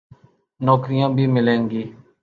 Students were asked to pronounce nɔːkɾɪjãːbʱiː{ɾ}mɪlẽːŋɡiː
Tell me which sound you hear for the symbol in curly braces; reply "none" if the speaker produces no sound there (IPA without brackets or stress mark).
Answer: none